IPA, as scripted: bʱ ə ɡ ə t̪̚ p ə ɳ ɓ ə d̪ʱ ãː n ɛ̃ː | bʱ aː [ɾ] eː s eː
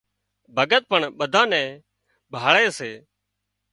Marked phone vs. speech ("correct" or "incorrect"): incorrect